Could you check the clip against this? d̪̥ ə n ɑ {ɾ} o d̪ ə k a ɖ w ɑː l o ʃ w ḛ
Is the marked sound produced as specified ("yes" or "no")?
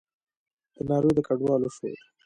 yes